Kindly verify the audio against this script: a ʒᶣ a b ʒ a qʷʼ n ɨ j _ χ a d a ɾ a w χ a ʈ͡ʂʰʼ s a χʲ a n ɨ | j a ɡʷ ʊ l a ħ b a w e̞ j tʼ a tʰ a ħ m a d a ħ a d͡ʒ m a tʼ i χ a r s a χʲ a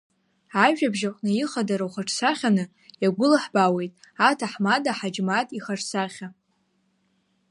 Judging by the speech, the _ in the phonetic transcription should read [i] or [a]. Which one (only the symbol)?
i